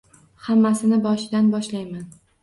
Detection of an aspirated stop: absent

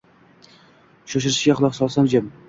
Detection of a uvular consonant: present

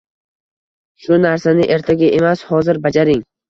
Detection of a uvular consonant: absent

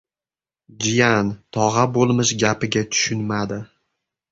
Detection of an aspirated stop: present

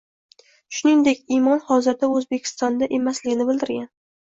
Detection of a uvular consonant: absent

